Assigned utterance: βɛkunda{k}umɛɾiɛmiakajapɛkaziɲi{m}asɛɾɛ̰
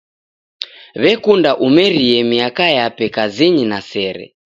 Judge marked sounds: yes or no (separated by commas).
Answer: no, no